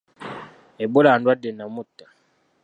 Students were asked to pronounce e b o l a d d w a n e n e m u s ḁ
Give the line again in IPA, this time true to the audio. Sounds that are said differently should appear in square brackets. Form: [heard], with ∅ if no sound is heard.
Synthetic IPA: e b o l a [n] d w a [d] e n [a] m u [t] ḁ